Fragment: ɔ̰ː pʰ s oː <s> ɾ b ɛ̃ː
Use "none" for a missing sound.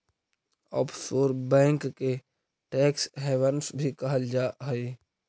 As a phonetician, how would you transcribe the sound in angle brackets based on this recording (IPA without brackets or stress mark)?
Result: none